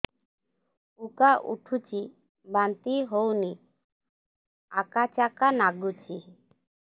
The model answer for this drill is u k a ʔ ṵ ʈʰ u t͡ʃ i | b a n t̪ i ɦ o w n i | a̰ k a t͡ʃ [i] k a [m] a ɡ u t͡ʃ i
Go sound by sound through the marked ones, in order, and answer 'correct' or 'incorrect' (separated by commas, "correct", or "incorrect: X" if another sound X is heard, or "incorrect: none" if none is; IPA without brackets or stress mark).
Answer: incorrect: a, incorrect: n